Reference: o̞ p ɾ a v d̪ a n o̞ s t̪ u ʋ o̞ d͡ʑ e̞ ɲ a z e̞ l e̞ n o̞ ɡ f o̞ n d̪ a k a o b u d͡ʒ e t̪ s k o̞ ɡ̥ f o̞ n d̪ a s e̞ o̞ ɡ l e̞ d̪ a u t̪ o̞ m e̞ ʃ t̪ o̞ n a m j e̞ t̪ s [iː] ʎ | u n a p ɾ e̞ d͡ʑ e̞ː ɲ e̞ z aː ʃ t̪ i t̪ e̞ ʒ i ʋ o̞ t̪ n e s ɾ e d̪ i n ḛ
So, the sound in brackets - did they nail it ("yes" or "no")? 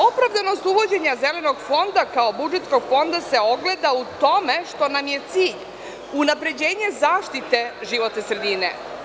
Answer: yes